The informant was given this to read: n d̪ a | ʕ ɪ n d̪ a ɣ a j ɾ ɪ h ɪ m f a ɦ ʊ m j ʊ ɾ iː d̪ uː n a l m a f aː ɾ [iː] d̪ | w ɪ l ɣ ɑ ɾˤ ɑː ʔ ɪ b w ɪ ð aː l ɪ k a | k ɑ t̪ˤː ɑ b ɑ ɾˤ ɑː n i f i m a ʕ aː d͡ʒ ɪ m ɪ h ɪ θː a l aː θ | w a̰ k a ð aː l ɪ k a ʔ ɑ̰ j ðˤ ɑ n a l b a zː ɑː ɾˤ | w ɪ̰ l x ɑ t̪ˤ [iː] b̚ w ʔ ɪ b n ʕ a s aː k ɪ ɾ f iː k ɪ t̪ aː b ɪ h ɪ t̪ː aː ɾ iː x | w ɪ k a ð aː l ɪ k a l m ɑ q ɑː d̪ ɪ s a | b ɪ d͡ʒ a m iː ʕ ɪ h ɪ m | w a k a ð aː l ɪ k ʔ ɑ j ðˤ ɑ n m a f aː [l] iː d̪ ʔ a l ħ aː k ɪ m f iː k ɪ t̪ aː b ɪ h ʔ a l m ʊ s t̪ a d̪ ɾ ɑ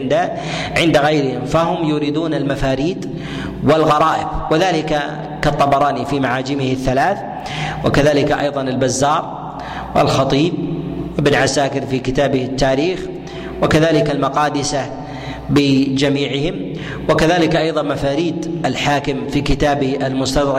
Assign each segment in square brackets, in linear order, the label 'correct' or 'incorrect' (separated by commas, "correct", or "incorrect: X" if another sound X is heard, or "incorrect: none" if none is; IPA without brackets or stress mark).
correct, correct, incorrect: ɾ